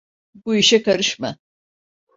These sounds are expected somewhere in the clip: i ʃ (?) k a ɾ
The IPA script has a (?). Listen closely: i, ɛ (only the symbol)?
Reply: ɛ